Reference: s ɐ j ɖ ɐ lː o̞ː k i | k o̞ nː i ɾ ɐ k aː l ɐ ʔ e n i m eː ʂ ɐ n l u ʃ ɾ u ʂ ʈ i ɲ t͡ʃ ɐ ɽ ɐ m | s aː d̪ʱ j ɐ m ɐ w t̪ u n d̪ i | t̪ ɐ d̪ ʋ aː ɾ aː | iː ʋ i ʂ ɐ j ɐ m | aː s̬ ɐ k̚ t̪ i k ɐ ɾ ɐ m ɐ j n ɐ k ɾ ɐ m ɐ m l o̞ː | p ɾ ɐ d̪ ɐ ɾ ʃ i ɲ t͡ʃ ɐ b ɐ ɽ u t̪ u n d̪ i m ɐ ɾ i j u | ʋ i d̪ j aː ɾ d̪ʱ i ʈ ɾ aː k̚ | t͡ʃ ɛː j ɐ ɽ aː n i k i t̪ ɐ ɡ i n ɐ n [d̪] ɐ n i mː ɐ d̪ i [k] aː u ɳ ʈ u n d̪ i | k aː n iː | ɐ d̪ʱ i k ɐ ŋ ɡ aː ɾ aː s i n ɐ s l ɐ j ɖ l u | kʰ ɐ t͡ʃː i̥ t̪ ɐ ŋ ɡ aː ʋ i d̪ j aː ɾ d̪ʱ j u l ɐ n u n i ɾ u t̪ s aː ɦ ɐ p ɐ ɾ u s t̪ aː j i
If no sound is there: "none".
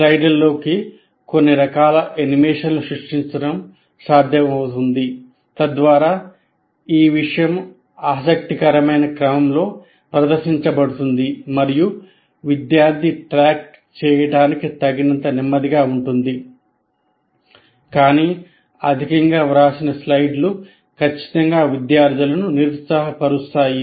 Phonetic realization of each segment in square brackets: t̪, ɡ

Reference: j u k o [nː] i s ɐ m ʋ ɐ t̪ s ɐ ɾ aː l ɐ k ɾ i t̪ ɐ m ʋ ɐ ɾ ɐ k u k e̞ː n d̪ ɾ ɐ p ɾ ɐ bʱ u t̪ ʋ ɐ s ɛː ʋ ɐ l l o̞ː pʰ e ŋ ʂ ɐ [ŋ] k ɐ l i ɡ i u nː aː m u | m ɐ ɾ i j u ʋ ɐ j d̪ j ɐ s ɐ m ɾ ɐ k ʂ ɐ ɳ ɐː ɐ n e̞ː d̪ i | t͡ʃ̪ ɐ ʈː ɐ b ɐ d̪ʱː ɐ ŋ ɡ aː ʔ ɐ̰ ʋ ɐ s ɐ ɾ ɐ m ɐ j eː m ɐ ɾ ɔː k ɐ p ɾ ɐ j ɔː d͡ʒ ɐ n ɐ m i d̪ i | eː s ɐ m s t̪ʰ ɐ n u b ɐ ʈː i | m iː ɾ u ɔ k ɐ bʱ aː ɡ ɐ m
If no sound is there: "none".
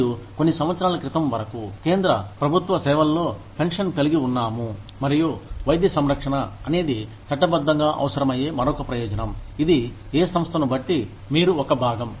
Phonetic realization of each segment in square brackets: nː, n

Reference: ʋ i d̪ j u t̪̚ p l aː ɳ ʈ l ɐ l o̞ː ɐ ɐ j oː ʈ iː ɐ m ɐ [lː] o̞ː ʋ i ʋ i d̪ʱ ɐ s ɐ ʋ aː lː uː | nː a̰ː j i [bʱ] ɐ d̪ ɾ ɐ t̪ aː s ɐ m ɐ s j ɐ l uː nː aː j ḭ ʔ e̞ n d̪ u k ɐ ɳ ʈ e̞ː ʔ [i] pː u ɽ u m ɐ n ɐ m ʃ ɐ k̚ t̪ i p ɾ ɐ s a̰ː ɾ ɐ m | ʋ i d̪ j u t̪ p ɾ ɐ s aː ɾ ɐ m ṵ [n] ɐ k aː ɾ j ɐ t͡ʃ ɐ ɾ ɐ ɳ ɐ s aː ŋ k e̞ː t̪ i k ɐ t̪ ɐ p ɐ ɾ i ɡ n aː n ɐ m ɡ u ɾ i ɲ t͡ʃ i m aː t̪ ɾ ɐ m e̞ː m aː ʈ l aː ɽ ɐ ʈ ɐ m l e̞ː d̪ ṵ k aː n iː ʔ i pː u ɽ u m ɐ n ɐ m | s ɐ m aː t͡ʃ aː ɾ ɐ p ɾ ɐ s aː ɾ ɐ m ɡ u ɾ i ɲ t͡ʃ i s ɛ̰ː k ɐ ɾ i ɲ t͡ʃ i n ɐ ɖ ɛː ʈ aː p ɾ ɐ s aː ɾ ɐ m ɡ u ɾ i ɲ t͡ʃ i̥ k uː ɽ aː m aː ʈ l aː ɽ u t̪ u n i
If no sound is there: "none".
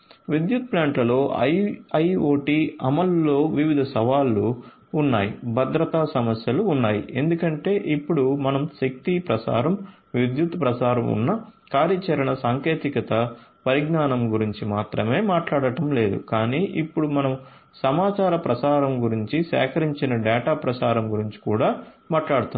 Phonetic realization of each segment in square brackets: lː, bʱ, i, nː

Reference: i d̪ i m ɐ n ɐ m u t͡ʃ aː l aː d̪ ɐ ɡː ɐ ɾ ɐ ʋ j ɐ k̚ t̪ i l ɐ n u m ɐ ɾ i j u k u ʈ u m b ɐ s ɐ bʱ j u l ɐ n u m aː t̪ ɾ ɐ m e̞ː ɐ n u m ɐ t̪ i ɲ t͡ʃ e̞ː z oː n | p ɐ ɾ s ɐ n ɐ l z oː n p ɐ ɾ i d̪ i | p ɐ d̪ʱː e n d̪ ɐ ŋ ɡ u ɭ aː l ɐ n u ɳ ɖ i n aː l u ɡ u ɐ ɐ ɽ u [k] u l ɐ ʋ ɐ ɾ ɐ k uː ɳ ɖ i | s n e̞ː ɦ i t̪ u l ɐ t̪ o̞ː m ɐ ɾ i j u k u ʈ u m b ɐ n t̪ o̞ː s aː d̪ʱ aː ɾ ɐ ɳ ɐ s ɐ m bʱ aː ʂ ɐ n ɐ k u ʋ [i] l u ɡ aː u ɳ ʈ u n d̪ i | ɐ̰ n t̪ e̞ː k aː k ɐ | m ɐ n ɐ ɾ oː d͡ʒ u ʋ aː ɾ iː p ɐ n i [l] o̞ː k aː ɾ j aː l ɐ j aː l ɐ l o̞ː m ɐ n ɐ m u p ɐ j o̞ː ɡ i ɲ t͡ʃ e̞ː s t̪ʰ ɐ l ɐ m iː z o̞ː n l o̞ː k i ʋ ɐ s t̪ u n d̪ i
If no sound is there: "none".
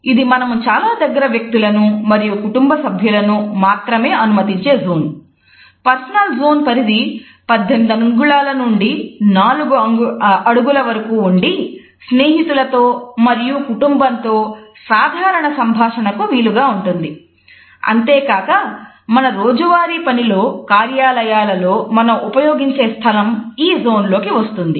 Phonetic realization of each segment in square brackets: ɡ, iː, l

